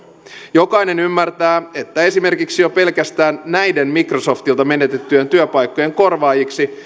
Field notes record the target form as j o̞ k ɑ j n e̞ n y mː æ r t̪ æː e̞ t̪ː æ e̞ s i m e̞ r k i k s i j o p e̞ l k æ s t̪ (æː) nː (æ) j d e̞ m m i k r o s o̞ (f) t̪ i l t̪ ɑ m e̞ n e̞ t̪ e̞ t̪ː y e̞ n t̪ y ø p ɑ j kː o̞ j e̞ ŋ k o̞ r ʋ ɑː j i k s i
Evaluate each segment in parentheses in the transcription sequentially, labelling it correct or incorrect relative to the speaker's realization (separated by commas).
correct, correct, correct